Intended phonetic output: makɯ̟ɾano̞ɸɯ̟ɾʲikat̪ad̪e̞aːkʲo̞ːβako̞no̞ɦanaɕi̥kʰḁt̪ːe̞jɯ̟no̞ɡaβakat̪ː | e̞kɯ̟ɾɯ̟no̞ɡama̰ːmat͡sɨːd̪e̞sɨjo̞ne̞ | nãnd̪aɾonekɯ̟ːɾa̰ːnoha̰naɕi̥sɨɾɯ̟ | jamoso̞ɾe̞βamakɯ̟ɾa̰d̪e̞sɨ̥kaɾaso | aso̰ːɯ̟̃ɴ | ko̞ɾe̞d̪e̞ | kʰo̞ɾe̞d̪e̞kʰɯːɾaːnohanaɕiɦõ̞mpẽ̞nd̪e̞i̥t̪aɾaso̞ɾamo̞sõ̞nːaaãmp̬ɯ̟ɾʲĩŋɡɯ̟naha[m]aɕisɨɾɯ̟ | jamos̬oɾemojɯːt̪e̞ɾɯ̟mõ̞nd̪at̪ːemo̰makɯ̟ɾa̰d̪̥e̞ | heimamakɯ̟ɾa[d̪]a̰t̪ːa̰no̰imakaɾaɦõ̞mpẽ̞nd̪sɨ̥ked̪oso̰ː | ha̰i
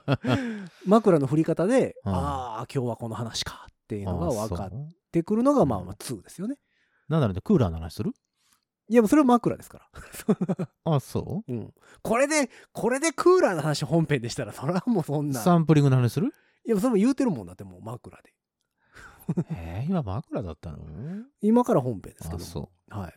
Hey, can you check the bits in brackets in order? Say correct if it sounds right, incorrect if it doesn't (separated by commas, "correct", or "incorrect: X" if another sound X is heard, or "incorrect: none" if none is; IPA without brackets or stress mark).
incorrect: n, correct